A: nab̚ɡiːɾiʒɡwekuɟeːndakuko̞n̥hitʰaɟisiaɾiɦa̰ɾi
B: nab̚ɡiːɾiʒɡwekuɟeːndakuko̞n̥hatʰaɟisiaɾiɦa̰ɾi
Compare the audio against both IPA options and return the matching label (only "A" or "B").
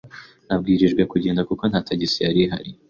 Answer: B